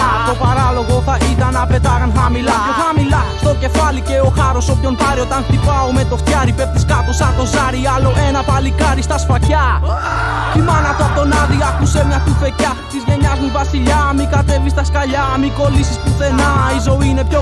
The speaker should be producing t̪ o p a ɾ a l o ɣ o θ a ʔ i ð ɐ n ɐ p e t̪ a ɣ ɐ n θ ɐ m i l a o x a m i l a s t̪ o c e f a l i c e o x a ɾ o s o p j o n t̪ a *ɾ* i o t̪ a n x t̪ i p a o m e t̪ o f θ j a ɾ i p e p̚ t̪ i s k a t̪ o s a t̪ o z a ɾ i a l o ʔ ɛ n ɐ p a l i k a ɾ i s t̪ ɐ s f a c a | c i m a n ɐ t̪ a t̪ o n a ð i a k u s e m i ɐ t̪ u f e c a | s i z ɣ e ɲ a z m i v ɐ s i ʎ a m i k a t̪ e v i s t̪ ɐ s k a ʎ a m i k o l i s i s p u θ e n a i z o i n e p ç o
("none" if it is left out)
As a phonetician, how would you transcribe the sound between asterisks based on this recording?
ɾ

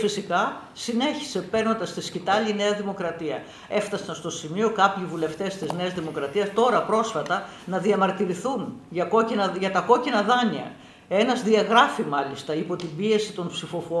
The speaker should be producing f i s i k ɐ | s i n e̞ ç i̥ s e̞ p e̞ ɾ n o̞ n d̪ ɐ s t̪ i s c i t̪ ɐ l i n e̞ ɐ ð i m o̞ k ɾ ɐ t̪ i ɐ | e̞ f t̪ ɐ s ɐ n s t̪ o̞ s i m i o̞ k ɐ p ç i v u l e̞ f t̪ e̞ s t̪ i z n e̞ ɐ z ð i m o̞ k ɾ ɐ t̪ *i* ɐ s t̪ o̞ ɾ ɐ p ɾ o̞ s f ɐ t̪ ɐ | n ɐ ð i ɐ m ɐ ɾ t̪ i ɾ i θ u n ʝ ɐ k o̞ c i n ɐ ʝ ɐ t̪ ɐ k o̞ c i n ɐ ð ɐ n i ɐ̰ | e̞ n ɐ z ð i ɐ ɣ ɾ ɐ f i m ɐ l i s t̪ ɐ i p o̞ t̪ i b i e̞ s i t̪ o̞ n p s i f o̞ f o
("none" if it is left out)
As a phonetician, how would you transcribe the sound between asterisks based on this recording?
i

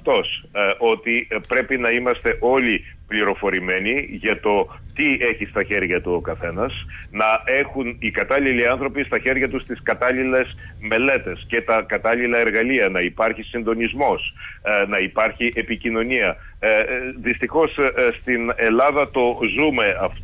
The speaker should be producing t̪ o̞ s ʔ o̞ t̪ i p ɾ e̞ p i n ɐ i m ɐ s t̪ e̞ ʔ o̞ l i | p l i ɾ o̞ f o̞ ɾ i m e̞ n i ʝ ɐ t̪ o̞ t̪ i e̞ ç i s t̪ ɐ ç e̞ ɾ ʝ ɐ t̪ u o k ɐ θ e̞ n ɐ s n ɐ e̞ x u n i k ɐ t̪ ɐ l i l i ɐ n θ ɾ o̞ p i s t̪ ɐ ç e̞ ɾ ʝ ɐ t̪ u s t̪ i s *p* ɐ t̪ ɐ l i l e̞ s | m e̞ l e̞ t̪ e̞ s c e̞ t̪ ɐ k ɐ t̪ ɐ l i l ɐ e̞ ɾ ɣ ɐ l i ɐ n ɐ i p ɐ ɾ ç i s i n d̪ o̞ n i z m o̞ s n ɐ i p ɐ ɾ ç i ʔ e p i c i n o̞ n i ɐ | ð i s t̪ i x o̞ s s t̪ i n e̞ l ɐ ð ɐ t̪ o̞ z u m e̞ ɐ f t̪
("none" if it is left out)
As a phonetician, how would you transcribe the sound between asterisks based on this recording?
k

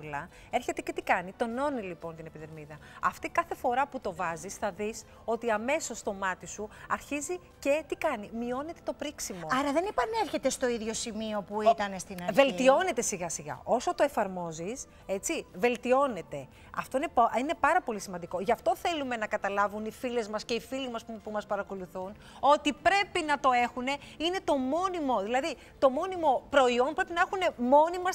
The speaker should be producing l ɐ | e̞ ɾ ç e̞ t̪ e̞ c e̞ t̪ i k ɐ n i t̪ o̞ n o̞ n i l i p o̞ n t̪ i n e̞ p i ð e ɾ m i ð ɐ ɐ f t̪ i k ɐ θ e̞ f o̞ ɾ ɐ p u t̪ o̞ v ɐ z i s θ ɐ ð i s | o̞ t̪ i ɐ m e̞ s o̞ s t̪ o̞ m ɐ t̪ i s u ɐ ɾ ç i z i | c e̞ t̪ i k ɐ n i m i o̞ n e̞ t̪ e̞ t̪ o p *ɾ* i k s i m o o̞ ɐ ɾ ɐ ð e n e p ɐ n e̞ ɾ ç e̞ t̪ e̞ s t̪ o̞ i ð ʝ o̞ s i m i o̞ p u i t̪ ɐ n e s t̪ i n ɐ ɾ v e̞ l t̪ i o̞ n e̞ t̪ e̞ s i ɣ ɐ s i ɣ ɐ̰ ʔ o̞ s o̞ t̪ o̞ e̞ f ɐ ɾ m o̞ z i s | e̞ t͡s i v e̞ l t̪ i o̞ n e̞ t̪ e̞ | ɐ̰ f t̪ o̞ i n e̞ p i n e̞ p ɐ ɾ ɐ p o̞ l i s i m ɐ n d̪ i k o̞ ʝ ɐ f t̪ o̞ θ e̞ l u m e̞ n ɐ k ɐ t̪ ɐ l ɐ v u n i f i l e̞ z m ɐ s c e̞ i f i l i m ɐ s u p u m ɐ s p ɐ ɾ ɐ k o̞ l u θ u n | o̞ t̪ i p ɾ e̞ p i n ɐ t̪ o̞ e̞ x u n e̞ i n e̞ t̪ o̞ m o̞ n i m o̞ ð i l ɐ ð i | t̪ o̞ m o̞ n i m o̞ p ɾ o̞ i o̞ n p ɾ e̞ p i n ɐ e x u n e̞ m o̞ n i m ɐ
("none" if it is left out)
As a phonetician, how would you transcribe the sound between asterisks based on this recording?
ɾ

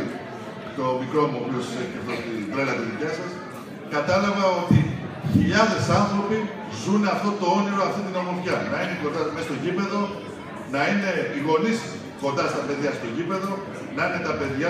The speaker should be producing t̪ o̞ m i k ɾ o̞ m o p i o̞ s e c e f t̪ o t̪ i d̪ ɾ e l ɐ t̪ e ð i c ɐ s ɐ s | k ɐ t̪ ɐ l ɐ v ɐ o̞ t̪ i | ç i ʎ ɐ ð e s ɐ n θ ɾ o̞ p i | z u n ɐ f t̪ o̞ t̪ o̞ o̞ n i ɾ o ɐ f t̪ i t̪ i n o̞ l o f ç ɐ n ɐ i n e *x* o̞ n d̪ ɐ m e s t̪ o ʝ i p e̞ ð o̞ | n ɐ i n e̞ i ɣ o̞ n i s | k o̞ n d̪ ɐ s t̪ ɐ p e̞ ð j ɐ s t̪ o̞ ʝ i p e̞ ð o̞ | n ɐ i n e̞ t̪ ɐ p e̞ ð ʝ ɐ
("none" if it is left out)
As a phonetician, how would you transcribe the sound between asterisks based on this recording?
k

